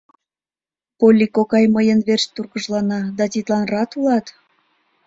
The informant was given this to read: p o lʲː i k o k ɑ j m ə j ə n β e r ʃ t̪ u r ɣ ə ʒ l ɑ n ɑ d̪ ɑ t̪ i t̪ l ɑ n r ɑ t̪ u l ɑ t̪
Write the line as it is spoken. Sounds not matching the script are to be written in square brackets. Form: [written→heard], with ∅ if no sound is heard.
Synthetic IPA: p o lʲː i k o k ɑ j m ə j ə n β e r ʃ t̪ u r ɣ ə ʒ l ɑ n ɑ d̪ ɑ t̪ i t̪ l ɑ n r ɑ t̪ u l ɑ t̪